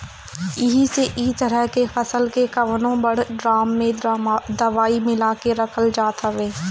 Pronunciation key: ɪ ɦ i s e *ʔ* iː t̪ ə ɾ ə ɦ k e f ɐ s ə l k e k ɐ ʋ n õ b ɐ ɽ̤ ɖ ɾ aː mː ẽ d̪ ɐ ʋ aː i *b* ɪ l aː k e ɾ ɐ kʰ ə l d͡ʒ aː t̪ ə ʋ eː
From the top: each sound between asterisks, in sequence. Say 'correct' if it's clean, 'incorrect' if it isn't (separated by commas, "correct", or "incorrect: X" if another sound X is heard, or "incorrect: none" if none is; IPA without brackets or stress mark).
correct, incorrect: m